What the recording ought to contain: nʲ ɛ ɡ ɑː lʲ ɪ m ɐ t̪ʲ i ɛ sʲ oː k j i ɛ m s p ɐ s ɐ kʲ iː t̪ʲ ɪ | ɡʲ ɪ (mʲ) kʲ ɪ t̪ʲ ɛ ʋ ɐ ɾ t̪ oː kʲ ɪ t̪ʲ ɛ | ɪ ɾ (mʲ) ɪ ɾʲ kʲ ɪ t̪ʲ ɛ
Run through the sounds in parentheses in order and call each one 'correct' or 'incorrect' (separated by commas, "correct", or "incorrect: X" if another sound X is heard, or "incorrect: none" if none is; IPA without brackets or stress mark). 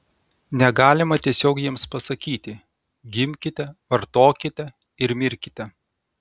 correct, correct